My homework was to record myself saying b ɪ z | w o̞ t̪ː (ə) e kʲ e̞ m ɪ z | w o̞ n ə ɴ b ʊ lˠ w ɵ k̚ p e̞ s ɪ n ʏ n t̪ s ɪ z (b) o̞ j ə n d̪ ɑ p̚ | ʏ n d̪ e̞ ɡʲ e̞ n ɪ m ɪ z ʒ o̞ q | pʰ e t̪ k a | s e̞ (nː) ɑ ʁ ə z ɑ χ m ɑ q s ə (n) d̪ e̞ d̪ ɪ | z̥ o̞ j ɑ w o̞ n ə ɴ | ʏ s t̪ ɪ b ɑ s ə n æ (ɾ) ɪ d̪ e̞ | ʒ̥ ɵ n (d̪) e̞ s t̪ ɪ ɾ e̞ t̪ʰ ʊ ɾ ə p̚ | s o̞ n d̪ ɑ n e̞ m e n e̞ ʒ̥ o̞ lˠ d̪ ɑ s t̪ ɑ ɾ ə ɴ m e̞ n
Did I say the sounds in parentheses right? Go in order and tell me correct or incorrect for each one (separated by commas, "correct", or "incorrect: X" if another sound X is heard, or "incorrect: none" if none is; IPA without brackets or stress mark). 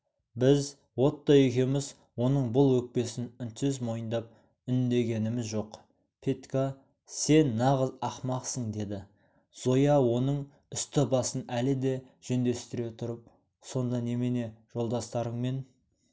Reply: incorrect: ɑ, incorrect: m, correct, incorrect: ɴ, incorrect: l, correct